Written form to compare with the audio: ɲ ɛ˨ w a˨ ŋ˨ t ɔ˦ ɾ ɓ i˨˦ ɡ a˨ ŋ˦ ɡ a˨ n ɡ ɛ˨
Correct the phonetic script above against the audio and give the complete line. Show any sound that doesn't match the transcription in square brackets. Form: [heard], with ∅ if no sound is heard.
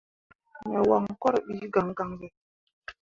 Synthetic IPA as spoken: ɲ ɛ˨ w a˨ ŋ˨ [k] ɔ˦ ɾ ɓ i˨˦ ɡ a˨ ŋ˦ ɡ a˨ [ŋ] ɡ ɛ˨